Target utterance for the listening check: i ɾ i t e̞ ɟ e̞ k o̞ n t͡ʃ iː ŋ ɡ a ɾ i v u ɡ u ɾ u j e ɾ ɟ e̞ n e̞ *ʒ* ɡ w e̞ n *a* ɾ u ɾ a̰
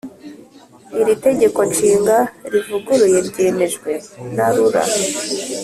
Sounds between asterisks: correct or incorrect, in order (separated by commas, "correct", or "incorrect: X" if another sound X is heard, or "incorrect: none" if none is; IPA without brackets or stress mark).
correct, correct